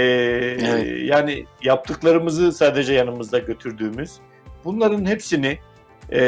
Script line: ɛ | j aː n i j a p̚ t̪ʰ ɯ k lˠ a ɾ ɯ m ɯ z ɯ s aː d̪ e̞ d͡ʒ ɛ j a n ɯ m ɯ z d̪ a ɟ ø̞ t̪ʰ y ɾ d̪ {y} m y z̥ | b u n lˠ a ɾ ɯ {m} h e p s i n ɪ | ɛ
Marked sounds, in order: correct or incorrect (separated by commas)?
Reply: incorrect, incorrect